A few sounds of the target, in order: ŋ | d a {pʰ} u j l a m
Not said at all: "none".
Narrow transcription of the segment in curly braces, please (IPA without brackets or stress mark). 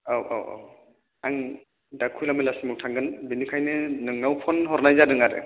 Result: kʰ